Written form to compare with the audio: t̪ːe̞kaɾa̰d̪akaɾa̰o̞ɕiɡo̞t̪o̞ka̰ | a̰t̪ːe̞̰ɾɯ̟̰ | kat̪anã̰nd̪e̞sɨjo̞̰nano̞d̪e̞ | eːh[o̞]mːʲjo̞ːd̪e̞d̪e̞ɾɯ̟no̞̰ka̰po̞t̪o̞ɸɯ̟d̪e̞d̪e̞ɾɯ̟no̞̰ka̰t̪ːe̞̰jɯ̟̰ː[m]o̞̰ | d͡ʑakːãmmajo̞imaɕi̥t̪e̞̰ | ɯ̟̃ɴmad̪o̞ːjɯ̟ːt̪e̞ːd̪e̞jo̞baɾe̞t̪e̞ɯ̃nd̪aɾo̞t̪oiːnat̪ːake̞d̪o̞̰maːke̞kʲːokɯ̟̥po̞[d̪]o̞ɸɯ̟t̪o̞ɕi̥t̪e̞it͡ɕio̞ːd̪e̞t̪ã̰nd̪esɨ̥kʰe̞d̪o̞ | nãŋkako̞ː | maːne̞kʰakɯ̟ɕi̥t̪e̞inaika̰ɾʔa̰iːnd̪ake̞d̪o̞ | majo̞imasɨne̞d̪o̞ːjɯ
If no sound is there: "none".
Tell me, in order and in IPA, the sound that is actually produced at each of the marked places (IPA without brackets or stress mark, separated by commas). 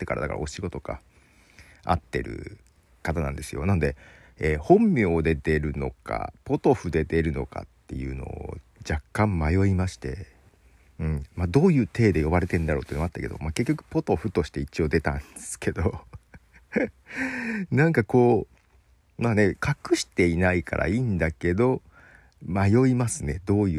õ̞, n, t̪